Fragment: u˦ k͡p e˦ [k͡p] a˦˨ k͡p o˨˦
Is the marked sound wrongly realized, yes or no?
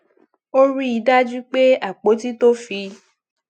yes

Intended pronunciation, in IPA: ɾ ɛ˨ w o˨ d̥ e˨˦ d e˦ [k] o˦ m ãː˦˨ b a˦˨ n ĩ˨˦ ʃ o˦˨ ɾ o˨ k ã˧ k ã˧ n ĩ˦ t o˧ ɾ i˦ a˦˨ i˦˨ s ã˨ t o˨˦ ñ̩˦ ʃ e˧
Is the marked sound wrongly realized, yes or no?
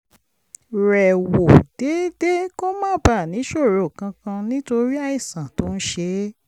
no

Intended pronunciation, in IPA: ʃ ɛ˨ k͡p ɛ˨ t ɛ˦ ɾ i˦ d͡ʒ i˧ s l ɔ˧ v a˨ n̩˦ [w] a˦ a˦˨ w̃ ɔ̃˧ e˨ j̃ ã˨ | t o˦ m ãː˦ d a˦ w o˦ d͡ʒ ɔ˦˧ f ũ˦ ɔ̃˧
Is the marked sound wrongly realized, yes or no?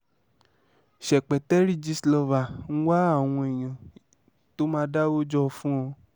no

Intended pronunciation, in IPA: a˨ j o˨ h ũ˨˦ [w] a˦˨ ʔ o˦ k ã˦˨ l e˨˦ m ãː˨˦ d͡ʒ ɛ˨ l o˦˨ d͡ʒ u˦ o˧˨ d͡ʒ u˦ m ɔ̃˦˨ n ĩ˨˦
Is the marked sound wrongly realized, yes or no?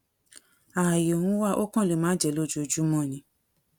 no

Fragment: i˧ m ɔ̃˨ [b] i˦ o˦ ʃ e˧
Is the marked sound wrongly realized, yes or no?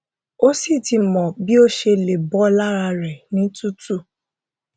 no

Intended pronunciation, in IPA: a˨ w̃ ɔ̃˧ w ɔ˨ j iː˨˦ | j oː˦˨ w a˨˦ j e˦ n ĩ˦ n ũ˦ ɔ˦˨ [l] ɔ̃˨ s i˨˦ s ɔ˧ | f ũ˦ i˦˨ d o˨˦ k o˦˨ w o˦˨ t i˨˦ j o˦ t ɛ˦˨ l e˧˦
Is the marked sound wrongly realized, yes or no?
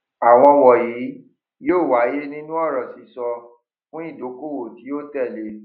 yes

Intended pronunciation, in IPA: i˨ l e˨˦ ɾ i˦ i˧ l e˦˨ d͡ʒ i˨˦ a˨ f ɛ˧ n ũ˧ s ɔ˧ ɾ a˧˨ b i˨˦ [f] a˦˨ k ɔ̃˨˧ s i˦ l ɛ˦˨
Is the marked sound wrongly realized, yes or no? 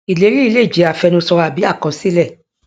yes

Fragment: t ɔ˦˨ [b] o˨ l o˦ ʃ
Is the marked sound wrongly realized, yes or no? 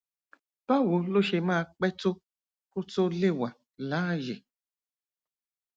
yes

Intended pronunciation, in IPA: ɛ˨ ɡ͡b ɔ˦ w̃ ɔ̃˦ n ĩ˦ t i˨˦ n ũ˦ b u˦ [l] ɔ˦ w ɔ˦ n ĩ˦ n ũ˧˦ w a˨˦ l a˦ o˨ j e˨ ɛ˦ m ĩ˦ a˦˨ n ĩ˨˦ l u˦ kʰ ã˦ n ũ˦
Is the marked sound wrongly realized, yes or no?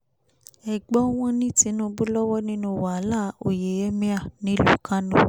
no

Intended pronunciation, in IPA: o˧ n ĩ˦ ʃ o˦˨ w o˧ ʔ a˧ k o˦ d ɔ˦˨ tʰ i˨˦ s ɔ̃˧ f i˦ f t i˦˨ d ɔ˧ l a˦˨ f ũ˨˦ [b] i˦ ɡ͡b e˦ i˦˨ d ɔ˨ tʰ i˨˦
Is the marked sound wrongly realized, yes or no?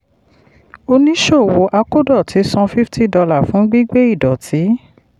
yes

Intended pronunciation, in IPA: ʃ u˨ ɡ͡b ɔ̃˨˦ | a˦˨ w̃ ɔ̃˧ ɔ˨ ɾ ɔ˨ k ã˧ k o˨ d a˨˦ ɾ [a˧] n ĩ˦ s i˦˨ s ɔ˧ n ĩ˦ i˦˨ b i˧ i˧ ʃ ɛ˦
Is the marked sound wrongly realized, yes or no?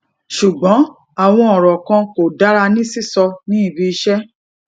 no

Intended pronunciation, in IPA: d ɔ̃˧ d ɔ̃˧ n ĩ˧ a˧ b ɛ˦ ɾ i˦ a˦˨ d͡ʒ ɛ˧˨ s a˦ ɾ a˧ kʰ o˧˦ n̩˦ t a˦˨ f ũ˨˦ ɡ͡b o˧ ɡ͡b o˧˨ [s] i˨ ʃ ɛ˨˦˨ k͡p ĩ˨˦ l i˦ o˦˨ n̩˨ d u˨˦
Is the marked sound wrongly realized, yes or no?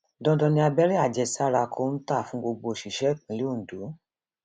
yes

